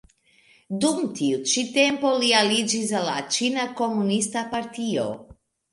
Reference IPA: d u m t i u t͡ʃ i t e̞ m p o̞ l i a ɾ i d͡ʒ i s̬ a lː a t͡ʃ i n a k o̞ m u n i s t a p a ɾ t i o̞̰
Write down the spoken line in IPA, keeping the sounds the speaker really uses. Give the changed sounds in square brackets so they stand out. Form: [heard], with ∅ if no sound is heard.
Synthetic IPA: d u m t i u t͡ʃ i t e̞ m p o̞ l i a [l] i d͡ʒ i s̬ a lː a t͡ʃ i n a k o̞ m u n i s t a p a ɾ t i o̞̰